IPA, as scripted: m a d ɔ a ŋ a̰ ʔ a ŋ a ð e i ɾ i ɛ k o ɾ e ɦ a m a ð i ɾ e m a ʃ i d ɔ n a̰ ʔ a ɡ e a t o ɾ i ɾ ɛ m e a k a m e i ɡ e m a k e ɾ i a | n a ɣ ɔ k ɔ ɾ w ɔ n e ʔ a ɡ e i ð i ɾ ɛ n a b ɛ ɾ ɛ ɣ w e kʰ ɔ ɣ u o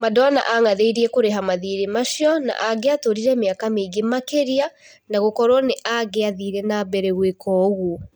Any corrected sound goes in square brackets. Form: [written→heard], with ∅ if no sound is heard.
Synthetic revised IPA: m a d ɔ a [ŋ→n] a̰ ʔ a ŋ a ð e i ɾ i ɛ k o ɾ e ɦ a m a ð i ɾ e m a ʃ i [d→∅] ɔ n a̰ ʔ a ɡ e a t o ɾ i ɾ ɛ m e a k a m e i ɡ e m a k e ɾ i a | n a ɣ [ɔ→o] k ɔ ɾ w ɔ n e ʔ a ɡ e [i→a] ð i ɾ ɛ n a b ɛ ɾ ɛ ɣ w e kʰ ɔ ɣ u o